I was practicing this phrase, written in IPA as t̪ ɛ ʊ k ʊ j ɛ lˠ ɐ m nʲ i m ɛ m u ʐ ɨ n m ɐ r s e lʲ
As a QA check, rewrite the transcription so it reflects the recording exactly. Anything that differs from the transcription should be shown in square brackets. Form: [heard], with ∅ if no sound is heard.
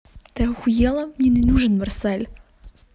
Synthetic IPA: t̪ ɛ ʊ [x] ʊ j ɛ lˠ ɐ m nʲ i [n] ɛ [n] u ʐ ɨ n m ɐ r s [ɛ] lʲ